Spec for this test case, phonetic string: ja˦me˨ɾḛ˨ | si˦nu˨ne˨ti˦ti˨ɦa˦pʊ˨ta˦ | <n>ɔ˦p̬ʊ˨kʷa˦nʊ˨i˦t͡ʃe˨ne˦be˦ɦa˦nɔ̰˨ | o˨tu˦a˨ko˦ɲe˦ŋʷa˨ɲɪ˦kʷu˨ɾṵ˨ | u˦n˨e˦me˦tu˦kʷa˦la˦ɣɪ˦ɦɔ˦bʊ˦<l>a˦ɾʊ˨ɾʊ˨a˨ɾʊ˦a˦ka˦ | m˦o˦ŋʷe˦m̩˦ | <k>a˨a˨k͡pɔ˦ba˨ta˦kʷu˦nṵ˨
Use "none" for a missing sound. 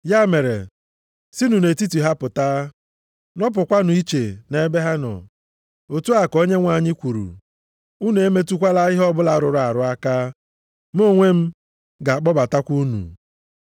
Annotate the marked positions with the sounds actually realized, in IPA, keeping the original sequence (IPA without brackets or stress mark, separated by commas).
n, l, ɡ